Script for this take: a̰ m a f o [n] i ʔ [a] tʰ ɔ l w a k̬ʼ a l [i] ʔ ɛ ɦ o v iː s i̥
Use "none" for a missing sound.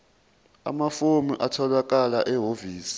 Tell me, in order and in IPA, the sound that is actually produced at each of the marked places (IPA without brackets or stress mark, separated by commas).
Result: m, a, a